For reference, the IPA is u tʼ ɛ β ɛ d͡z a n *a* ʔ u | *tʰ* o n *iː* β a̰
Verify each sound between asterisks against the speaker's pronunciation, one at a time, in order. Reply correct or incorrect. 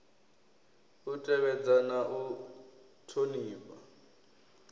correct, correct, correct

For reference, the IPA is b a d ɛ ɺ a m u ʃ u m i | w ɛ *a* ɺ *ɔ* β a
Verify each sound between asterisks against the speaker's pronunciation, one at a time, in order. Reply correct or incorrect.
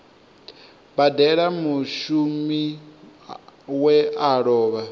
correct, incorrect: ɔː

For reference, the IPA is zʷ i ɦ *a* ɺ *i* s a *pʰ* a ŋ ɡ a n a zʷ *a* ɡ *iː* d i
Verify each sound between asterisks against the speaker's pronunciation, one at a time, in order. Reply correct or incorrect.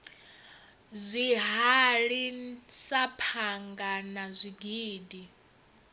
correct, correct, correct, incorrect: i, correct

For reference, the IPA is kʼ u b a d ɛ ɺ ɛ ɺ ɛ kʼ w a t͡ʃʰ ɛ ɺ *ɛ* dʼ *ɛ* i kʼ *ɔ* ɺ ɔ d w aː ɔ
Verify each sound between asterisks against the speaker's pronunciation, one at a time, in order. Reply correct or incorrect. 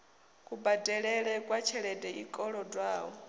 correct, correct, correct

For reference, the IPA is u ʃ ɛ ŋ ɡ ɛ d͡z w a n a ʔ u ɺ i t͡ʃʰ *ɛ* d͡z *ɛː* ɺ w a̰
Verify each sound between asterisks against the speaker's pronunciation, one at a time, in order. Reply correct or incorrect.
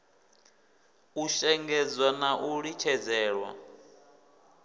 correct, correct

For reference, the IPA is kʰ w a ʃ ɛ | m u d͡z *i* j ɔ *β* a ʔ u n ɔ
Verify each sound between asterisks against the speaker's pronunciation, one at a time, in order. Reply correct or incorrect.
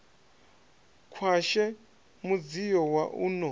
correct, incorrect: w

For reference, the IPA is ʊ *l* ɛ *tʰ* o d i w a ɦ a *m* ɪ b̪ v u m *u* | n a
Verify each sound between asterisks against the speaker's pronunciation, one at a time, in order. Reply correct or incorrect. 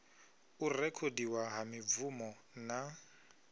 incorrect: r, incorrect: kʰ, correct, incorrect: ɔ

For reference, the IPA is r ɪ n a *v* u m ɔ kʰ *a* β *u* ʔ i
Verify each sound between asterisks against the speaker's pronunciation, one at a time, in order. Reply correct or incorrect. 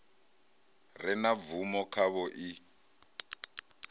correct, correct, incorrect: ɔ

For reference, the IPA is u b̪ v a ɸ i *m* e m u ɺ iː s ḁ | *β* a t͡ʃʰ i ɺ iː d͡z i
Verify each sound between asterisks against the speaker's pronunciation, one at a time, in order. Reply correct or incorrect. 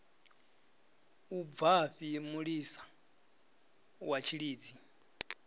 incorrect: none, incorrect: w

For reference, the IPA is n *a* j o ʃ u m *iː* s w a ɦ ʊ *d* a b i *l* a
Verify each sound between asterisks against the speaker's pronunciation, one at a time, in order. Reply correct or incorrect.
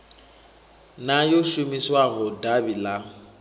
correct, incorrect: i, correct, correct

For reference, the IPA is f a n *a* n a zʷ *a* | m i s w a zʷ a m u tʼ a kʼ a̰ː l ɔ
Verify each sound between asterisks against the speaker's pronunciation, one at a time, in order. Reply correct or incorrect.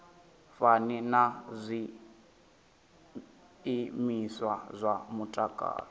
incorrect: i, incorrect: i

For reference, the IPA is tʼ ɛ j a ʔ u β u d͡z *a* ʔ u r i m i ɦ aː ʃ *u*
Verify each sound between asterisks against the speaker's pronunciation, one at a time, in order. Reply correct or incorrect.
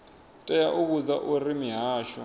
correct, incorrect: ɔ

